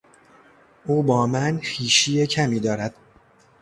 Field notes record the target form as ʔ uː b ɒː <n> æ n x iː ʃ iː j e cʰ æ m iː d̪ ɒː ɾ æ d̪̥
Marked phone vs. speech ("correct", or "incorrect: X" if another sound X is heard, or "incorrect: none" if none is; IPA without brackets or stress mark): incorrect: m